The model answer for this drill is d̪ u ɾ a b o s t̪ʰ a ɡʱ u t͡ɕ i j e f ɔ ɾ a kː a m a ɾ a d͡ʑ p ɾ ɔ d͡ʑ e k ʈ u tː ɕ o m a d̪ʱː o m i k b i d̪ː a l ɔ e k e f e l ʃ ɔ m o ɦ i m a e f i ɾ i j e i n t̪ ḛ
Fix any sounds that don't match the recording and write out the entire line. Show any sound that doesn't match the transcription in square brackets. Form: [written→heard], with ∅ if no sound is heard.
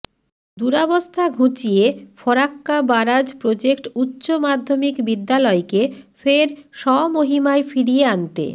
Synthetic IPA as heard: d̪ u ɾ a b o s t̪ʰ a ɡʱ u t͡ɕ i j e f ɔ ɾ a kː a [m→b] a ɾ a d͡ʑ p ɾ [ɔ→o] d͡ʑ e k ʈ u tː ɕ o m a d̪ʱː o m i k b i d̪ː a l ɔ e k e f e [l→ɾ] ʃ ɔ m o ɦ i m a e f i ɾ i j e [i→a] n t̪ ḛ

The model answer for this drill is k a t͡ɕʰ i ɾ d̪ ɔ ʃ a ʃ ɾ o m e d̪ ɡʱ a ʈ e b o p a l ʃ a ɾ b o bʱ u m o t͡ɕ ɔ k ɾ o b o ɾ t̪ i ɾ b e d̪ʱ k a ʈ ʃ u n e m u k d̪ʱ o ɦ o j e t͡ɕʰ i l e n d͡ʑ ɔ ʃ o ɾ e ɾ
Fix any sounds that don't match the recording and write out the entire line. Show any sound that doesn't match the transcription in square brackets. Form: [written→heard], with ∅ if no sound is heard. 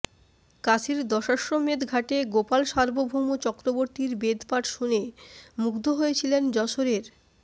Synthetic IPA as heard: k a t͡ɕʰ i ɾ d̪ ɔ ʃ a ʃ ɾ o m e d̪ ɡʱ a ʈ e [b→ɡ] o p a l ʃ a ɾ b o bʱ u m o t͡ɕ ɔ k ɾ o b o ɾ t̪ i ɾ b e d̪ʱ [k→p] a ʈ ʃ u n e m u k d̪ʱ o ɦ o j e t͡ɕʰ i l e n d͡ʑ ɔ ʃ o ɾ e ɾ

